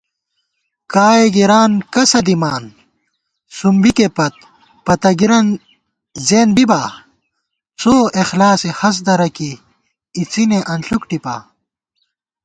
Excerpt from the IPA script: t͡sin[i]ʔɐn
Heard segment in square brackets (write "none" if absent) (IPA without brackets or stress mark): e